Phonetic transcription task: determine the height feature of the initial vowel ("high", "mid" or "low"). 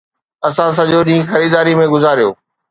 low